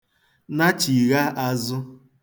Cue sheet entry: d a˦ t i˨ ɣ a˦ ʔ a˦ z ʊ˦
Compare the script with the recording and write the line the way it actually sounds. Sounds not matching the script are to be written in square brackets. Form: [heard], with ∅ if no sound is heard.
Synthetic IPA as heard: [n] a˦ [t͡ʃ] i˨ ɣ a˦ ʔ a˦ z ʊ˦